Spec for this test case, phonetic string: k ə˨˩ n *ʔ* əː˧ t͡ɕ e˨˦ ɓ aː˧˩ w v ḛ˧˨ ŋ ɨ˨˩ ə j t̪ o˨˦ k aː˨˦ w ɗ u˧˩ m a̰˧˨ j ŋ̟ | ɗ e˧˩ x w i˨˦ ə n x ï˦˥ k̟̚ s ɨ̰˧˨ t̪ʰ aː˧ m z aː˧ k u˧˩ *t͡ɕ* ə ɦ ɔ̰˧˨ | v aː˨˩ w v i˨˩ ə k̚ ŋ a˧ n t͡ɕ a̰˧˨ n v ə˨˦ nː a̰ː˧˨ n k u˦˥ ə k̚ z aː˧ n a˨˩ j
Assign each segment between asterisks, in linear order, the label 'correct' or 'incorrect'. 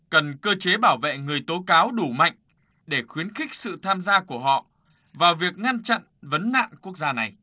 incorrect: k, incorrect: none

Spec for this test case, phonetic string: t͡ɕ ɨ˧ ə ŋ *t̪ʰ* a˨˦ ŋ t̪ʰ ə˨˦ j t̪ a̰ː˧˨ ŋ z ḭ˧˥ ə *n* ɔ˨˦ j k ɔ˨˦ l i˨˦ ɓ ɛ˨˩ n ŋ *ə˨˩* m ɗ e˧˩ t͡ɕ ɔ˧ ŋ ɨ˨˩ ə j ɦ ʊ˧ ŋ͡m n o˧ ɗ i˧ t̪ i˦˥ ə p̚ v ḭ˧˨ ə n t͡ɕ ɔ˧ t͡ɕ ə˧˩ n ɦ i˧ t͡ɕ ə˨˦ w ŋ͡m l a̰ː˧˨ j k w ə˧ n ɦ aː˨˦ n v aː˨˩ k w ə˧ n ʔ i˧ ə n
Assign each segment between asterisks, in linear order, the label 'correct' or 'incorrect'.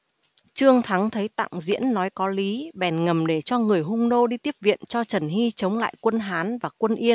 correct, incorrect: nː, correct

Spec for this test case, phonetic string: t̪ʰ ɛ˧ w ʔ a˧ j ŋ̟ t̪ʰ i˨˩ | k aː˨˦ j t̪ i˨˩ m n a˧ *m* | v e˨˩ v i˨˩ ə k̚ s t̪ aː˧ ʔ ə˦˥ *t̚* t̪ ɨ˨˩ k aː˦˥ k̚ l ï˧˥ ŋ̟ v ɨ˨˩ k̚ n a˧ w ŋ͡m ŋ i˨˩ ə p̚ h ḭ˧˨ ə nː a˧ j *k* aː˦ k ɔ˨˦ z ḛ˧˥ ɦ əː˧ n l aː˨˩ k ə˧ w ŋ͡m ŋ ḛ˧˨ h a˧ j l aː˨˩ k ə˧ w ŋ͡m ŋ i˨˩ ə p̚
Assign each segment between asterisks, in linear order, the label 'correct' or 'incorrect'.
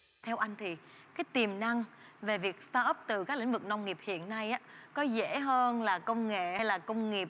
incorrect: ŋ, incorrect: p̚, incorrect: ʔ

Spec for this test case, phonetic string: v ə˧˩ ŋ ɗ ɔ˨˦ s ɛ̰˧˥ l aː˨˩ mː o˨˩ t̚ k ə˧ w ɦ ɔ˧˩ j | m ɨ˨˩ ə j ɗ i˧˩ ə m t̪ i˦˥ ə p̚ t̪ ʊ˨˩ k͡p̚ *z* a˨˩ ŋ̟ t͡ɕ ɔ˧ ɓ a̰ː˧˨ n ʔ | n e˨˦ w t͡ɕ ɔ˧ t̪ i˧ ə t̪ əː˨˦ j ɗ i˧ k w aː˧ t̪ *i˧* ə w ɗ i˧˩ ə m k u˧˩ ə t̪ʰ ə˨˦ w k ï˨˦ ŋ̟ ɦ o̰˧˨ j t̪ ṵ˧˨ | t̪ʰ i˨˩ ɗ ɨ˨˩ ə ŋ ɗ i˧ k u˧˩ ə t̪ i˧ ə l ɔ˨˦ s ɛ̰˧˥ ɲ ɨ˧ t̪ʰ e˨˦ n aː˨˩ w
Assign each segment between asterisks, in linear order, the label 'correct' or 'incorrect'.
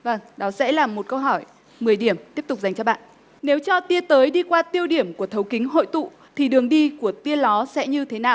correct, correct

